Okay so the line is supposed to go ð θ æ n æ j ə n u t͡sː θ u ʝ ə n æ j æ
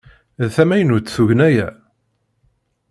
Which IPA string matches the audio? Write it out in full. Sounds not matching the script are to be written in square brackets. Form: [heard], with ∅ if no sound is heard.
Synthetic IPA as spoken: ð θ æ [m] æ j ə n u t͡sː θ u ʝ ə n æ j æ